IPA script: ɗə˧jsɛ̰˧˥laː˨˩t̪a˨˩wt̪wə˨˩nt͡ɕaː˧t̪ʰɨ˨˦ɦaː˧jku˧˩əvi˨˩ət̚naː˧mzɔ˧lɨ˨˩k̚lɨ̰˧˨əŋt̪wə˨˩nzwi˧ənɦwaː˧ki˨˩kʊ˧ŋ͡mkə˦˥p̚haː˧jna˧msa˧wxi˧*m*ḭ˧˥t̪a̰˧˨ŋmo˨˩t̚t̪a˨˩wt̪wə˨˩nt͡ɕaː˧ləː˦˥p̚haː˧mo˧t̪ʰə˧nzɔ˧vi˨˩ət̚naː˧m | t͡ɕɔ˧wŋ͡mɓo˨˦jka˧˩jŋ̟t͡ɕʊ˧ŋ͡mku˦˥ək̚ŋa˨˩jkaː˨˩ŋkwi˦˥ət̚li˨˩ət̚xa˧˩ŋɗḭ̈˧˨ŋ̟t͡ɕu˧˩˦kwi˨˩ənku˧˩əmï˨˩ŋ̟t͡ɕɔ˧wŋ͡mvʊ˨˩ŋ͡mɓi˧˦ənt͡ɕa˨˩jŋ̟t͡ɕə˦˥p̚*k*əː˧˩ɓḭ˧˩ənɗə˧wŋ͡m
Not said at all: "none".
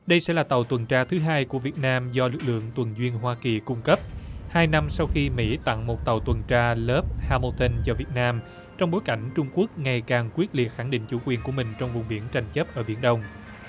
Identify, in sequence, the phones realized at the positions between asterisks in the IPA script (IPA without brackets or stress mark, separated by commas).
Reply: m, ʔ